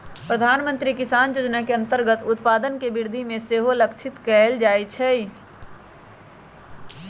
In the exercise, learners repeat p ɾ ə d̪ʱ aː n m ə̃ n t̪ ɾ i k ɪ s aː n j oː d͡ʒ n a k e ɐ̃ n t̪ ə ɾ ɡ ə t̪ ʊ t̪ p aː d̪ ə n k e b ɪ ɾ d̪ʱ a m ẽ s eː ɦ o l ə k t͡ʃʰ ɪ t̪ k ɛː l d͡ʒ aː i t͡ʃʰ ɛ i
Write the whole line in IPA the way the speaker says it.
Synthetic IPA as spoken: p ɾ ə d̪ʱ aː n m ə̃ n t̪ ɾ i k ɪ s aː n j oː d͡ʒ n a k e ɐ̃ n t̪ ə ɾ ɡ ə t̪ ʊ t̪ p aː d̪ ə n k e b ɪ ɾ d̪ʱ i m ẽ s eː ɦ o l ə k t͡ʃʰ ɪ t̪ k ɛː l d͡ʒ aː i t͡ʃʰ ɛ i